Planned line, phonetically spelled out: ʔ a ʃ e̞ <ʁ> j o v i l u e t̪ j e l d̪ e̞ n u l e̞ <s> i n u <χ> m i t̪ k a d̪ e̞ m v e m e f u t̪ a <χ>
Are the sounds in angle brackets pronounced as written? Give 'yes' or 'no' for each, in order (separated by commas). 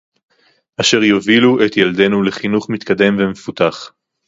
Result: yes, no, yes, yes